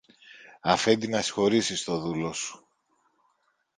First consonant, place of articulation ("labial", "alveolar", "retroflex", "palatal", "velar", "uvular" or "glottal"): labial